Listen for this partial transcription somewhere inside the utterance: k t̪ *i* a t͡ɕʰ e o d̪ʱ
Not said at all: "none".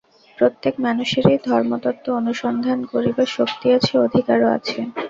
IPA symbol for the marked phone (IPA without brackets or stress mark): i